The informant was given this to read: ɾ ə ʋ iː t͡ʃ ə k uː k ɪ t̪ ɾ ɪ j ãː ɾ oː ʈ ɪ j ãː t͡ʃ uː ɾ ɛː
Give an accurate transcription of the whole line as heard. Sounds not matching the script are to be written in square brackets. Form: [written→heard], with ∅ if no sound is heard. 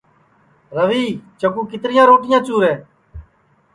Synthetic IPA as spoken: ɾ ə ʋ iː t͡ʃ ə k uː k ɪ t̪ ɾ ɪ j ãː ɾ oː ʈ ɪ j ãː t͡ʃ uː ɾ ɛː